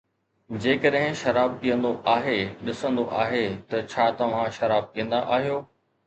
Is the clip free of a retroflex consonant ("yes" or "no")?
yes